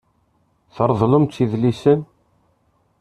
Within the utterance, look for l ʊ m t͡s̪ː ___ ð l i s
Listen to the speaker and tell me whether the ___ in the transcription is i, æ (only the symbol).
i